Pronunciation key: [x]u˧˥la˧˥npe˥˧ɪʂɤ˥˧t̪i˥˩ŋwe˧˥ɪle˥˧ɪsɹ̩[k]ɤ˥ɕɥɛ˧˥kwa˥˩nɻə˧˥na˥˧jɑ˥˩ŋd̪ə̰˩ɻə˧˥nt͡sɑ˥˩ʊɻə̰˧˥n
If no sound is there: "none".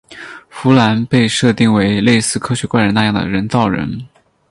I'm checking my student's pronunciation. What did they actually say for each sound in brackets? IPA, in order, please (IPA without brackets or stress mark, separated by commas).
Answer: f, kʰ